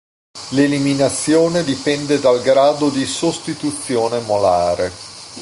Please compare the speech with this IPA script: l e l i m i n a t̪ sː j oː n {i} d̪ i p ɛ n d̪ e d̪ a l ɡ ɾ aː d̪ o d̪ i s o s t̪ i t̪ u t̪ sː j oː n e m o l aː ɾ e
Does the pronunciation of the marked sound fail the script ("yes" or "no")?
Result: yes